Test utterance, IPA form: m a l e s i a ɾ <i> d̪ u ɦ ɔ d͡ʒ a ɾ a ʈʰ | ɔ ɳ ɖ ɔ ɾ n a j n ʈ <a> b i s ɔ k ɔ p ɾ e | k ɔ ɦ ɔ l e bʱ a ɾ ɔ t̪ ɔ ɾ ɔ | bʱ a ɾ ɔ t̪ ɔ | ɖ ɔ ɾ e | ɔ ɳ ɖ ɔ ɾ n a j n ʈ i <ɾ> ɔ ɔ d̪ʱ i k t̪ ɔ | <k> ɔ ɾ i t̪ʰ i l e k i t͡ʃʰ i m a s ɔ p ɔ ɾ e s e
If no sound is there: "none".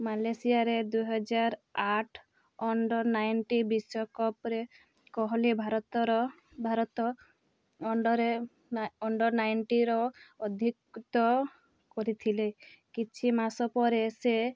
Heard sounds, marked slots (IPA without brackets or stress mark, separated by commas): e, i, ɾ, k